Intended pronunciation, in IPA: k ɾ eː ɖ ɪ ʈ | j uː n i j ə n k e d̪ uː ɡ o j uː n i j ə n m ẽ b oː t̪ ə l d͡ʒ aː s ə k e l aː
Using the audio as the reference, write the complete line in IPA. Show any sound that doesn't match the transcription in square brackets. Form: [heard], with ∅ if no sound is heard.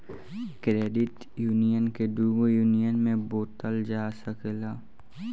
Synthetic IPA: k ɾ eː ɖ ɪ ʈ | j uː n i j ə n k e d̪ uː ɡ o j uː n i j ə n m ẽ b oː t̪ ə l d͡ʒ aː s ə k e l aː